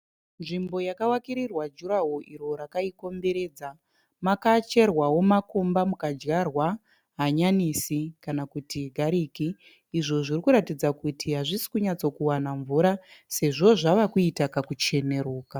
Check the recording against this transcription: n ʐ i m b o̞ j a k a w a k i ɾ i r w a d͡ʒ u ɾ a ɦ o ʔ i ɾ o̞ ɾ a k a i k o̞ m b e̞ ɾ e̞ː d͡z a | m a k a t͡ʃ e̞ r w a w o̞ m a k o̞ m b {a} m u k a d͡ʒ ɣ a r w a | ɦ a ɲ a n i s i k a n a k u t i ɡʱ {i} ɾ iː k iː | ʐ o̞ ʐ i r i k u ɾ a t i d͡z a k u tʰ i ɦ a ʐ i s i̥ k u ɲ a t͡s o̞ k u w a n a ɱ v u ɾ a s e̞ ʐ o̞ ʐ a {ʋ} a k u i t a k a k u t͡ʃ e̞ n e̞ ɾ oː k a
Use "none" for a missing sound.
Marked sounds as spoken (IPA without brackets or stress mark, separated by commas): a, a, ʋ